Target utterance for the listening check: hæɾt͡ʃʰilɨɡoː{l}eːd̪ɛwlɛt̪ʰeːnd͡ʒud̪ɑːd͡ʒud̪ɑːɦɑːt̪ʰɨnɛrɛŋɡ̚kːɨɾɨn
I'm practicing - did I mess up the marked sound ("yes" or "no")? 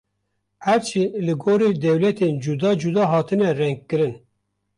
yes